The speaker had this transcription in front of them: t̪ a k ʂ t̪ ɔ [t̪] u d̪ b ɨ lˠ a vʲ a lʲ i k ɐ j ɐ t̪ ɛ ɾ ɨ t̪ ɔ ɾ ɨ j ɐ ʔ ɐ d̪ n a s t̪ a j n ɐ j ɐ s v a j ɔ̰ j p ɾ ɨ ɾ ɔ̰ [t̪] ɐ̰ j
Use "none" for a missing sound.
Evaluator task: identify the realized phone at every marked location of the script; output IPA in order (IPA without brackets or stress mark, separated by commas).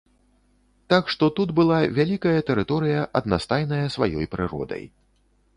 t̪, d̪